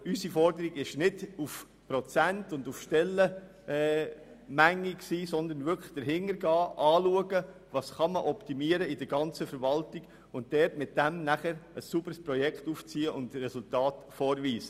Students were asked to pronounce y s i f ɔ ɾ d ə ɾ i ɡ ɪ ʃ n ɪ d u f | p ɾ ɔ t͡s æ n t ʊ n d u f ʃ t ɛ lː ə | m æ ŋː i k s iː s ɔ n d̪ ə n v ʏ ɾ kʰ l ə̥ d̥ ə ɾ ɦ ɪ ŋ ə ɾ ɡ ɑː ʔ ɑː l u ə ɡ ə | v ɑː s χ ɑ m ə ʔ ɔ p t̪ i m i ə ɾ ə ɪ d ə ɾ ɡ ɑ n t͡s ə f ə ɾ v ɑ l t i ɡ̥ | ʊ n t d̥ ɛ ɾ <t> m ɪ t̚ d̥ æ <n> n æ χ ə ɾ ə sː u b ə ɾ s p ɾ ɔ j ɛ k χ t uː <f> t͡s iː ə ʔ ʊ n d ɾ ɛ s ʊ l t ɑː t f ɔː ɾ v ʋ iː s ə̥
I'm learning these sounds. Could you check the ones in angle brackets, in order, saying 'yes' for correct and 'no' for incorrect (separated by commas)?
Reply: yes, no, yes